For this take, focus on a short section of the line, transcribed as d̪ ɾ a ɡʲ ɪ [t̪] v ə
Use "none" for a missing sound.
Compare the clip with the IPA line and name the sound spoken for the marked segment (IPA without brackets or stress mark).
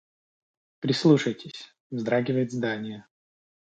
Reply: none